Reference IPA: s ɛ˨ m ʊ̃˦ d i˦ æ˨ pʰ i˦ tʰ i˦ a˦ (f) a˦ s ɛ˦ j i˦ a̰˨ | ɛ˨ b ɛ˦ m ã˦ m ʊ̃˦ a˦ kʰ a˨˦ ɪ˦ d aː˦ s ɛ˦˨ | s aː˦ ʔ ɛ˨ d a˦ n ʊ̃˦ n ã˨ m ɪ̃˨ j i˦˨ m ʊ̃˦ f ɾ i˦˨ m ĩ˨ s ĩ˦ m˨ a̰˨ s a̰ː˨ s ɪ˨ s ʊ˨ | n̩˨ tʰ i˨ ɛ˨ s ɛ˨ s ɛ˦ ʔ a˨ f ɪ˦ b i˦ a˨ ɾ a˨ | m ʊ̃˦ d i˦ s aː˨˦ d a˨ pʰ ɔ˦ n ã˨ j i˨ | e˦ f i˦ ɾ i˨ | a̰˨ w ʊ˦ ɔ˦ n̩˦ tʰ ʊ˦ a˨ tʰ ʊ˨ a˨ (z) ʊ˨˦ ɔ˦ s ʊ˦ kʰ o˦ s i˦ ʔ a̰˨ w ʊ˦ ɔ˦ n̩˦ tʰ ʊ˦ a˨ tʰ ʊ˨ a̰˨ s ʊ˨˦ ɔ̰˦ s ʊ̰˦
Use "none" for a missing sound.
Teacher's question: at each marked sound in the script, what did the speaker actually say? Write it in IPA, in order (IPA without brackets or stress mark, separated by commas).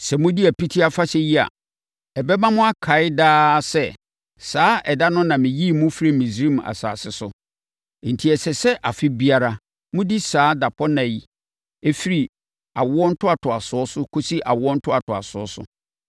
f, s